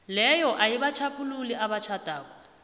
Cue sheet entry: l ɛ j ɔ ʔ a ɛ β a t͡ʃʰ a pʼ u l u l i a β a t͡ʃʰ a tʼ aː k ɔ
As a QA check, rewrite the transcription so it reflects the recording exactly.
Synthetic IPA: l ɛ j ɔ ʔ a i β a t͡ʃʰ a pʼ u l u l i a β a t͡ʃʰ a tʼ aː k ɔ